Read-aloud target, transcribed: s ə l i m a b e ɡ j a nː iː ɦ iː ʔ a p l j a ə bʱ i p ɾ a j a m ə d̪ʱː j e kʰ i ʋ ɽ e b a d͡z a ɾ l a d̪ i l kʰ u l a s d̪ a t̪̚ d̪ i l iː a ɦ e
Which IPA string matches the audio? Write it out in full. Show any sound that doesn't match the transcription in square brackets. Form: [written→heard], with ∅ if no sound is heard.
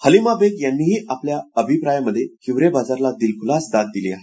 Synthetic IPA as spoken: [s→h] ə l i m a b e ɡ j a nː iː ɦ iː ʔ a p l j a ə bʱ i p ɾ a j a m ə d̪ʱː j e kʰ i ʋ [ɽ→ɾ] e b a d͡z a ɾ l a d̪ i l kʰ u l a s d̪ a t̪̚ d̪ i l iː a ɦ e